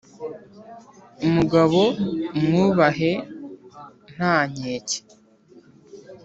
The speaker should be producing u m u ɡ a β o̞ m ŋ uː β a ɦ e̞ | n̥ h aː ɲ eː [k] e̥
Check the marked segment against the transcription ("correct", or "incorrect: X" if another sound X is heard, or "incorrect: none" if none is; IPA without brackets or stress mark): incorrect: c